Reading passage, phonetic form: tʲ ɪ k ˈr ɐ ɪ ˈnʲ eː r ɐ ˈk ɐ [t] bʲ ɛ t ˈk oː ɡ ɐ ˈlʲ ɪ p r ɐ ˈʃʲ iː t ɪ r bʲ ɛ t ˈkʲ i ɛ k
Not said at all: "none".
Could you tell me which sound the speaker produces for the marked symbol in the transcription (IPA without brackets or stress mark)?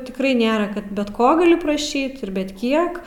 t